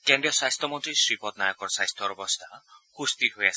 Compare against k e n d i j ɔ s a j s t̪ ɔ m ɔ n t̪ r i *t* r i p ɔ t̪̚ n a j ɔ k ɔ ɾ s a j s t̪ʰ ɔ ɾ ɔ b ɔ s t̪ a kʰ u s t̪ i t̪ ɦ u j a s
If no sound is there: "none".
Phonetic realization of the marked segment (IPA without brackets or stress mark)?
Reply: s